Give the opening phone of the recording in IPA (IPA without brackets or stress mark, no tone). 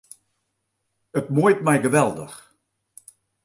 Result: ə